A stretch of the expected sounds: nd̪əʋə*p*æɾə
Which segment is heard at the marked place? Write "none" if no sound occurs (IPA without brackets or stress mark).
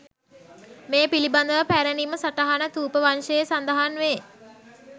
p